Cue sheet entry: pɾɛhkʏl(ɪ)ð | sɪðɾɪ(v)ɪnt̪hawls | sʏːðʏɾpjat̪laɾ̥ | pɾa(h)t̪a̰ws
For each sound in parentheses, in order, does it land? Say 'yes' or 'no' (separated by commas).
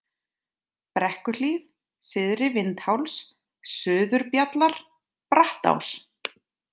no, yes, yes